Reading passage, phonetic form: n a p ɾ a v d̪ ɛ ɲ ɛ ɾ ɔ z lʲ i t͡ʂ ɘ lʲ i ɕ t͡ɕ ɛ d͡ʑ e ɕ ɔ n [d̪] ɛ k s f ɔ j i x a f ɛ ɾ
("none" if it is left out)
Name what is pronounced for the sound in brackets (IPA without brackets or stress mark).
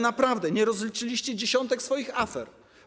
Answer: t̪